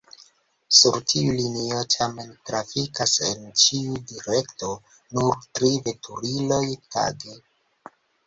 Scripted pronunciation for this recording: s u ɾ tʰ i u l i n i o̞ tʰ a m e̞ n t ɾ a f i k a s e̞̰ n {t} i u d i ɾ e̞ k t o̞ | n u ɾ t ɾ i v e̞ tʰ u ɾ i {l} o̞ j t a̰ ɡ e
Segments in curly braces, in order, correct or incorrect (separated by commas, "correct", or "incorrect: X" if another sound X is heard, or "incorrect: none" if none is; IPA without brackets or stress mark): incorrect: t͡ʃ, correct